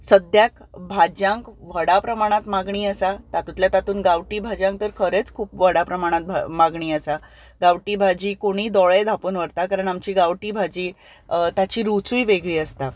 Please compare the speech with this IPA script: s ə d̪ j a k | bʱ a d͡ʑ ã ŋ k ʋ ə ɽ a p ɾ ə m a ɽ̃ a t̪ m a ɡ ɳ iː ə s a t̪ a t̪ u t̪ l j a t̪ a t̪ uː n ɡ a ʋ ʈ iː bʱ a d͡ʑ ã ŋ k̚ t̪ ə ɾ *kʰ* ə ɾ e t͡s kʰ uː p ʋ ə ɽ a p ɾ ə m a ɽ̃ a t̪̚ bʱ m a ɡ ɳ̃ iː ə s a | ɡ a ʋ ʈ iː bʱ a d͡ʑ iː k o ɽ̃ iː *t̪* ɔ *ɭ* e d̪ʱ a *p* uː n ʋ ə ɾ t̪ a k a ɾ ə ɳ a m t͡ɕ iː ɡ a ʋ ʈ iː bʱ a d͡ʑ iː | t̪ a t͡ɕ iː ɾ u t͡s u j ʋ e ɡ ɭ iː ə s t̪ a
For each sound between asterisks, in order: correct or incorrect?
correct, incorrect: d̪, correct, correct

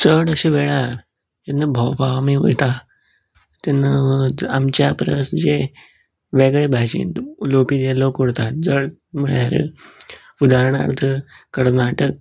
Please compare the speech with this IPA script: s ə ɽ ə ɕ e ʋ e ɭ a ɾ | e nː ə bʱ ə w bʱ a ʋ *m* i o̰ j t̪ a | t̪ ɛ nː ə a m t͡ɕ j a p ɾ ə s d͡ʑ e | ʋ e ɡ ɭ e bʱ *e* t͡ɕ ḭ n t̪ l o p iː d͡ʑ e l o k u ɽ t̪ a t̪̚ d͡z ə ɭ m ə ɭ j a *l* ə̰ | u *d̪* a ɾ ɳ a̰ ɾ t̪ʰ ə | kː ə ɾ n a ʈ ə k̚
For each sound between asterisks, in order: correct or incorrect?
correct, incorrect: a, incorrect: ɾ, correct

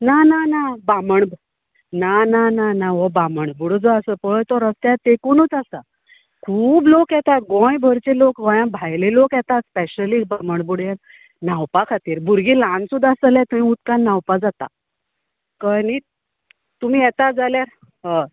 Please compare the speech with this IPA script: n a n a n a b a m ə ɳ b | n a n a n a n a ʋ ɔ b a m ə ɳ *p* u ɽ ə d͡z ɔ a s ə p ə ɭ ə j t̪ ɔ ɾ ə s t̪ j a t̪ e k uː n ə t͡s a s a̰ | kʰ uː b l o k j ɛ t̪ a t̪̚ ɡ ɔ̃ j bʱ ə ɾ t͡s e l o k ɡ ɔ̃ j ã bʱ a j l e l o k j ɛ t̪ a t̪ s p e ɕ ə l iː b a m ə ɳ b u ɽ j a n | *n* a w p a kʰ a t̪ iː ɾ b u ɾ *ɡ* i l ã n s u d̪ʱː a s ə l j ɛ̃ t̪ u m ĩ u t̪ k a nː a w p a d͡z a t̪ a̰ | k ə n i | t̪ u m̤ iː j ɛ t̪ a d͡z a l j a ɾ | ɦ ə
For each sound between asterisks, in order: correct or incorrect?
incorrect: b, correct, correct

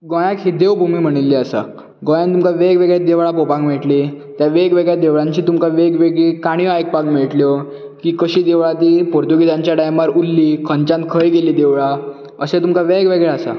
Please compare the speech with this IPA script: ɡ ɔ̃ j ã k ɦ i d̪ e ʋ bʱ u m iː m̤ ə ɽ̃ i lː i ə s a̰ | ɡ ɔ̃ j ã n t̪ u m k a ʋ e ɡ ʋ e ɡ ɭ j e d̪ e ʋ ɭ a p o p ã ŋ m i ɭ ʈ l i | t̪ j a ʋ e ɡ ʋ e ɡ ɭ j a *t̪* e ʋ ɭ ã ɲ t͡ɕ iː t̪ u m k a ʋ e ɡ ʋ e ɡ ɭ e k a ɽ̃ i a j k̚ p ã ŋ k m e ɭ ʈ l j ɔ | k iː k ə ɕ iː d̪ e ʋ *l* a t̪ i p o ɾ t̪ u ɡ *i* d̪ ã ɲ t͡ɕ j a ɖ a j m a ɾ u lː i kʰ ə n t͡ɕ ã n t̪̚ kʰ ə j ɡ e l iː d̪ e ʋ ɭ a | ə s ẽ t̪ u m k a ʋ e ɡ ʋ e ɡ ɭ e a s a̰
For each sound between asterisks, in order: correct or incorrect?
incorrect: d̪, incorrect: ɭ, correct

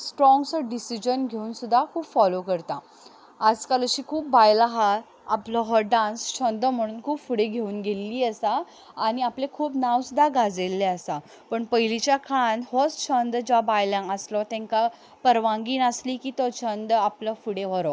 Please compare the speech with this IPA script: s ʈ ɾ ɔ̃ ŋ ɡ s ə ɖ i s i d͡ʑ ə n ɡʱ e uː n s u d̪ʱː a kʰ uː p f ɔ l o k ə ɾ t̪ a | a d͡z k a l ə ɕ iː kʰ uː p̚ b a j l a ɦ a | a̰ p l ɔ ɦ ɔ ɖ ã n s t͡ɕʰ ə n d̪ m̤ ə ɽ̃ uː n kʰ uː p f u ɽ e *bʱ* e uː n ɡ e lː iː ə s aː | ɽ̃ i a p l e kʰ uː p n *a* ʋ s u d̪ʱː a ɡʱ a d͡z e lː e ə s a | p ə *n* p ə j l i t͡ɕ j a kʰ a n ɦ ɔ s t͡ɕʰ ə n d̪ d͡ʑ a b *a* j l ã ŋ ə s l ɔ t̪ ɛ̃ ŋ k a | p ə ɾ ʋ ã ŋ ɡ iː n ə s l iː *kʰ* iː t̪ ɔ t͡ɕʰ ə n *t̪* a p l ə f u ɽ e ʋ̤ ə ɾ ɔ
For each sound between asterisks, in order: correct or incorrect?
incorrect: ɡʱ, correct, incorrect: ɳ, correct, incorrect: k, incorrect: d̪

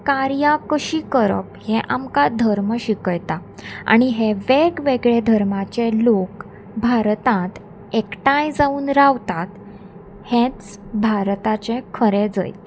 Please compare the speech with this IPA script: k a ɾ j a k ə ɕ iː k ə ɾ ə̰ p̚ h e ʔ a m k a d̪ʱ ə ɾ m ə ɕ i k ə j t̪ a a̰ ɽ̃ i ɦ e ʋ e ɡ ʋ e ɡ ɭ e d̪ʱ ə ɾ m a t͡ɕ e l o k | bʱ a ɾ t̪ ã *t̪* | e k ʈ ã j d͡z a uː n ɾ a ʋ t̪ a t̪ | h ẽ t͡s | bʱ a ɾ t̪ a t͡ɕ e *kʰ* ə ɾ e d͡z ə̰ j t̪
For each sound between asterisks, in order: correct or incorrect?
correct, correct

